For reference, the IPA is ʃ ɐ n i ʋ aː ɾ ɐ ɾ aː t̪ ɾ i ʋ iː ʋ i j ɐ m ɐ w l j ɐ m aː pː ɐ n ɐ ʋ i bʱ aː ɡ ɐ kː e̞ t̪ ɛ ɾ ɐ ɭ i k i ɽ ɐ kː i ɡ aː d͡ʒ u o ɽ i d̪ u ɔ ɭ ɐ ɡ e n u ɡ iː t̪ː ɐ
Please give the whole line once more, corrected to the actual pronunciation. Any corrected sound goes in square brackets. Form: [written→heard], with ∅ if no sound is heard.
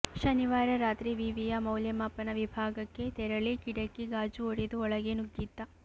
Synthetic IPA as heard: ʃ ɐ n i ʋ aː ɾ ɐ ɾ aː t̪ ɾ i ʋ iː ʋ i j ɐ m ɐ w l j ɐ m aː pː ɐ n ɐ ʋ i bʱ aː ɡ ɐ kː e̞ t̪ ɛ ɾ ɐ ɭ i k i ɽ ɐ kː i ɡ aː d͡ʒ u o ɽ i d̪ u ɔ ɭ ɐ ɡ e n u ɡ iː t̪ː ɐ

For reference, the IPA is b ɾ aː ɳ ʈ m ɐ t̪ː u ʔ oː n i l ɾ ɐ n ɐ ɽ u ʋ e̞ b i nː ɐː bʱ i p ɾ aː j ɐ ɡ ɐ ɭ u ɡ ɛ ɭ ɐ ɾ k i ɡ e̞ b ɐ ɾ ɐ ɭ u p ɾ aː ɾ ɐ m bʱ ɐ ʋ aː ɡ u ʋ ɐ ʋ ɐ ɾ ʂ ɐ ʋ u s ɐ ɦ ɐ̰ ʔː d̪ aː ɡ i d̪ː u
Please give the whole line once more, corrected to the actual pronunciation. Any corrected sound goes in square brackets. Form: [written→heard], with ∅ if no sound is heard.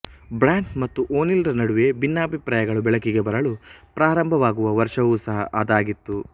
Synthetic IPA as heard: b ɾ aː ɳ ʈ m ɐ t̪ː u ʔ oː n i l ɾ ɐ n ɐ ɽ u ʋ e̞ b i nː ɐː bʱ i p ɾ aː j ɐ ɡ ɐ ɭ u [ɡ→b] ɛ ɭ ɐ [ɾ→∅] k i ɡ e̞ b ɐ ɾ ɐ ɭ u p ɾ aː ɾ ɐ m bʱ ɐ ʋ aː ɡ u ʋ ɐ ʋ ɐ ɾ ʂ ɐ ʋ u s ɐ ɦ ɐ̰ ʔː d̪ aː ɡ i [d̪ː→t̪ː] u

